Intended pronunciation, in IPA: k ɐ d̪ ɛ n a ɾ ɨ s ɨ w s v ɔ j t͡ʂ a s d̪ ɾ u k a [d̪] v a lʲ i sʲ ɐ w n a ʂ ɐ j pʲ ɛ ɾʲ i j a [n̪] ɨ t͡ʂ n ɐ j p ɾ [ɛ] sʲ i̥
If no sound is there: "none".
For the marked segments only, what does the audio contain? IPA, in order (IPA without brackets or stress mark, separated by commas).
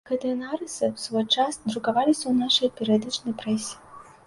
none, d̪, ɛ